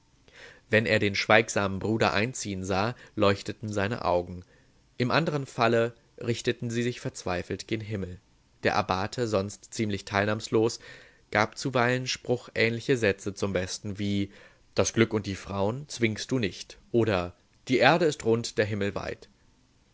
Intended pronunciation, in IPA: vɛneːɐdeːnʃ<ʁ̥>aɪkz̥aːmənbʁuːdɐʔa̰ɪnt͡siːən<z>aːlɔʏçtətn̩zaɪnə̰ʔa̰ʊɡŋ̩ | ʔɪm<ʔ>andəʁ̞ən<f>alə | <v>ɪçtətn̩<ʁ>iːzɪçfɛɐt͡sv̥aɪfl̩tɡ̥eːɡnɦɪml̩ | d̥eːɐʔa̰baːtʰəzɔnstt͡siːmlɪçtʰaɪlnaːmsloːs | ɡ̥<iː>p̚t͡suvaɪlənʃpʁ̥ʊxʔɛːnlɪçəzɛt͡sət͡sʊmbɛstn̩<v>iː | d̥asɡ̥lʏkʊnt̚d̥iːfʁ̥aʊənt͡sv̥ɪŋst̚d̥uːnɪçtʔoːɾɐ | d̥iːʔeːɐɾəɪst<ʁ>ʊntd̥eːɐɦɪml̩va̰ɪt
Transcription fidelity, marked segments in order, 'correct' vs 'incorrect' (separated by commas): incorrect, correct, correct, correct, incorrect, incorrect, incorrect, correct, correct